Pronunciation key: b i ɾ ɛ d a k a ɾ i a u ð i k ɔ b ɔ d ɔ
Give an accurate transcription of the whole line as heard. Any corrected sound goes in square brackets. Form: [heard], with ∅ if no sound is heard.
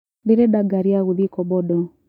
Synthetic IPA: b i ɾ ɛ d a [ɡ] a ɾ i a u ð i k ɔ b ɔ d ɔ